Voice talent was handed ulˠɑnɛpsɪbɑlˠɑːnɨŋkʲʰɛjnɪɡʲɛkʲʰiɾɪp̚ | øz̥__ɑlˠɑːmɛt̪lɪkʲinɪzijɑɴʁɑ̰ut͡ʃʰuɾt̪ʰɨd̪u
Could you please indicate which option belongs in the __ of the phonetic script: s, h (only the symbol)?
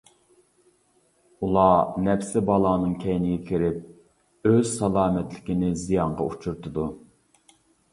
s